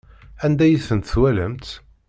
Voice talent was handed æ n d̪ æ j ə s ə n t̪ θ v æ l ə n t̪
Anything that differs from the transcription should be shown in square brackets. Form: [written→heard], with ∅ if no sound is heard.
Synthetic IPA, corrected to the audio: æ n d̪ æ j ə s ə n t̪ θ [v→w] æ l ə [n→m] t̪